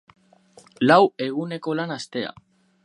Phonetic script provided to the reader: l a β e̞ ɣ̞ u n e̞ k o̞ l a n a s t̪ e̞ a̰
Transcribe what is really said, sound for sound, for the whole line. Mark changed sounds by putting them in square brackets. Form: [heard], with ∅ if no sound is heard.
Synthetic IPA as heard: l a [w] e̞ ɣ̞ u n e̞ k o̞ l a n a s t̪ e̞ a̰

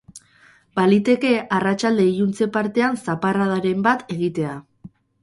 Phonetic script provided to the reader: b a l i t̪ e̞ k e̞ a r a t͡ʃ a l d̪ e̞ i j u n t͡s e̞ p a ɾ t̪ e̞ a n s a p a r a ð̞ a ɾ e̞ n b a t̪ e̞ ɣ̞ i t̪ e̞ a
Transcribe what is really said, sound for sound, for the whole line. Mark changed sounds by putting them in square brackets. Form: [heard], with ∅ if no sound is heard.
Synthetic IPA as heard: b a l i t̪ e̞ k e̞ a r a t͡ʃ a l d̪ e̞ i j u n t͡s e̞ p a ɾ t̪ e̞ a n s a p a r a ð̞ a ɾ e̞ [m] b a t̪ e̞ ɣ̞ i t̪ e̞ a

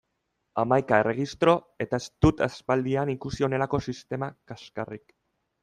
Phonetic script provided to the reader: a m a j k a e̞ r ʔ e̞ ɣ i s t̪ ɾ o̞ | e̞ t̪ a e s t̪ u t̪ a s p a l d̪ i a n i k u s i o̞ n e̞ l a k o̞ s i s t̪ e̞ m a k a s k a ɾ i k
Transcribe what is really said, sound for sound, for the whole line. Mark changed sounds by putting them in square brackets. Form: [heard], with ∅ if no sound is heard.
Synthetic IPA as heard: a m a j k a e̞ r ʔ e̞ ɣ i s t̪ ɾ o̞ | e̞ t̪ a e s t̪ u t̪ a s p a l d̪ i a n i k u s i o̞ n e̞ l a k o̞ s i s t̪ e̞ m a k a s k a [r] i k

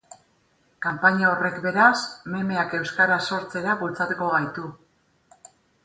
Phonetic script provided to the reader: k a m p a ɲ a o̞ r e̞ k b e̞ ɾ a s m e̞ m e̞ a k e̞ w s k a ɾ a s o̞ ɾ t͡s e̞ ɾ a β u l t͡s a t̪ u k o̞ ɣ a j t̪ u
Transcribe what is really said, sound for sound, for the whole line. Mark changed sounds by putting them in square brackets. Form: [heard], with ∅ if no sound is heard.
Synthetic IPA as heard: k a m p a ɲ a o̞ r e̞ k b e̞ ɾ a s m e̞ m e̞ a k e̞ w s k a ɾ a s o̞ ɾ t͡s e̞ ɾ a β u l t͡s a t̪ u k o̞ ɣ a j t̪ u

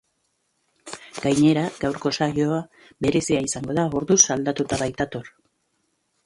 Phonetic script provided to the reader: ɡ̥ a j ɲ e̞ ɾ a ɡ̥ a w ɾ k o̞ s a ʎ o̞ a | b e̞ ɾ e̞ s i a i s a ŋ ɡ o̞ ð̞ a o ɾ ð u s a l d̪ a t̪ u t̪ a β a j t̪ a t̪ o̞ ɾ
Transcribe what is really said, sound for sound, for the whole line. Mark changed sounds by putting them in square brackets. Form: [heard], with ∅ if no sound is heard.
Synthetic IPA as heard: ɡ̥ a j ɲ e̞ ɾ a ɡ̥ a w ɾ k o̞ s a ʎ o̞ a | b e̞ ɾ e̞ s i a i s a ŋ ɡ o̞ ð̞ a o ɾ ð u s a l d̪ a t̪ u t̪ a β a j t̪ a t̪ o̞ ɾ

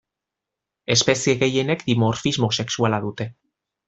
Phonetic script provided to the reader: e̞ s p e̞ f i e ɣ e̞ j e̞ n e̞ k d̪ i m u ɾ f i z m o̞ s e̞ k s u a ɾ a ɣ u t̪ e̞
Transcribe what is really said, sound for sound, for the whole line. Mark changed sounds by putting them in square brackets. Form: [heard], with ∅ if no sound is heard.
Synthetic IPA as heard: e̞ s p e̞ [s] i e ɣ e̞ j e̞ n e̞ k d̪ i m [o] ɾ f i z m o̞ s e̞ k s u a [l] a [ð] u t̪ e̞

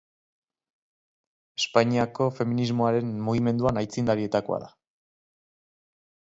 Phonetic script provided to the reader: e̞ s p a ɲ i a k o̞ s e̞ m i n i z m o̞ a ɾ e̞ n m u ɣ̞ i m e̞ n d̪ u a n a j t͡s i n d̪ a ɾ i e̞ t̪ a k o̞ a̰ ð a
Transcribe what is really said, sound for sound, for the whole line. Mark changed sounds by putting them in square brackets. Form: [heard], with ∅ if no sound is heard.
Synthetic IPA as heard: e̞ s p a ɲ i a k o̞ [f] e̞ m i n i z m o̞ a ɾ e̞ n m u ɣ̞ i m e̞ n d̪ u a n a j t͡s i n d̪ a ɾ i e̞ t̪ a k o̞ a̰ ð a

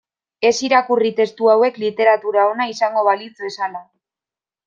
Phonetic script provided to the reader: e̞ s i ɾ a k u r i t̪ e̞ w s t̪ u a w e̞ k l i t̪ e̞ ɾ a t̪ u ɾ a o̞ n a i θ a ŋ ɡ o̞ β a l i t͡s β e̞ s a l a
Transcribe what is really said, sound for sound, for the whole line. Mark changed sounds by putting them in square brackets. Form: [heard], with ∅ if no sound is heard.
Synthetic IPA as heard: e̞ s i ɾ a k u r i t̪ e̞ [∅] s t̪ u a w e̞ k l i t̪ e̞ ɾ a t̪ u ɾ a o̞ n a i [s] a ŋ ɡ o̞ β a l i t͡s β e̞ s a l a

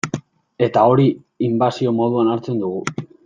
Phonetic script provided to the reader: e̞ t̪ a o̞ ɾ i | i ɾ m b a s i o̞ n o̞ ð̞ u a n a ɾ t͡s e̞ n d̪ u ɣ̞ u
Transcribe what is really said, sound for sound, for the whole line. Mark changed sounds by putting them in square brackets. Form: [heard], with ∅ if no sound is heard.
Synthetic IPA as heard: e̞ t̪ a o̞ ɾ i | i [∅] m b a s i o̞ [m] o̞ ð̞ u a n a ɾ t͡s e̞ n d̪ u ɣ̞ u

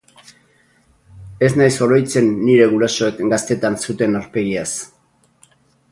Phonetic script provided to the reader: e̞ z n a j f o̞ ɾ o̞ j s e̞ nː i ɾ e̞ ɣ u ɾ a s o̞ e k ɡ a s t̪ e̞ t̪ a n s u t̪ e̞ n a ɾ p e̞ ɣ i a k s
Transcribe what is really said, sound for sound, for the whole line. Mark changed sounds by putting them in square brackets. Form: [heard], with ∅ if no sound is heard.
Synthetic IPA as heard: e̞ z n a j [s] o̞ ɾ o̞ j [t͡s] e̞ nː i ɾ e̞ ɣ u ɾ a s o̞ e k ɡ a s t̪ e̞ t̪ a n s u t̪ e̞ n a ɾ p e̞ ɣ i a [∅] s

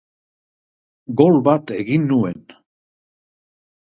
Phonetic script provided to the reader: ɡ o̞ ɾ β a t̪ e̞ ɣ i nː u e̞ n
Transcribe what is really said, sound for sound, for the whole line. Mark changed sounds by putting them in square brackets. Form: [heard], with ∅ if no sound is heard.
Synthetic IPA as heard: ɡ o̞ [l] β a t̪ e̞ ɣ i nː u e̞ n

